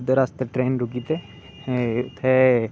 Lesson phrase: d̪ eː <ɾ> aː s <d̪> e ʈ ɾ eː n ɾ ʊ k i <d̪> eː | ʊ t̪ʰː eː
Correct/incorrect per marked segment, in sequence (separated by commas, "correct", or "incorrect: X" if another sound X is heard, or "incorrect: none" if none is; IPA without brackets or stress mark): correct, incorrect: t̪, incorrect: t̪